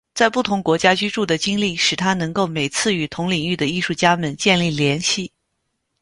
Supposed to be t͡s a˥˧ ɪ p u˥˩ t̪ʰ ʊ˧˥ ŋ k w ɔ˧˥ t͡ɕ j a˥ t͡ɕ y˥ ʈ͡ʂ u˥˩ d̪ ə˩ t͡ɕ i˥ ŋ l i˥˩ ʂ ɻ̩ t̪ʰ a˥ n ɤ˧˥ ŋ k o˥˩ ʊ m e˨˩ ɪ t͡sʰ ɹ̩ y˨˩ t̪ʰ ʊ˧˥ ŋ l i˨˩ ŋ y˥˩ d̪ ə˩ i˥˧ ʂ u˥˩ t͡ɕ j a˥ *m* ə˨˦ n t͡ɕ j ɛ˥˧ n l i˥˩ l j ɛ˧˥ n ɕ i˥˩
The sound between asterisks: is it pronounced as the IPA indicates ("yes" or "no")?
yes